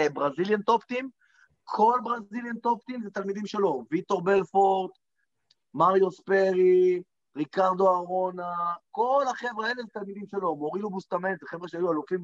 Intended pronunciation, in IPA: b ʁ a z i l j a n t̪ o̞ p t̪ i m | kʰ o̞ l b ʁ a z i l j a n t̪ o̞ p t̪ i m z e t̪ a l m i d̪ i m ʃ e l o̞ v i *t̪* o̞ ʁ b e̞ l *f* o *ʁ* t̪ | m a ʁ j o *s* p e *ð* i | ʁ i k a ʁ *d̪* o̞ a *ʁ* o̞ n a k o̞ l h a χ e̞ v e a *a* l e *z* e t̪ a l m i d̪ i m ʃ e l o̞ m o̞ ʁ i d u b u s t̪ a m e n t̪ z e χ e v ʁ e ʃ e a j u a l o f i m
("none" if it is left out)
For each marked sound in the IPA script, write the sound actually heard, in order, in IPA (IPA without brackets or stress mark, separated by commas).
t̪, f, ʁ, s, ʁ, d̪, ʁ, e, z